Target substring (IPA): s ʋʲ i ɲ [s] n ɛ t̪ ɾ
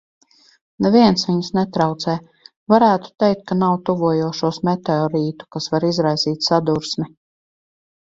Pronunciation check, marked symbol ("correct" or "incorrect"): correct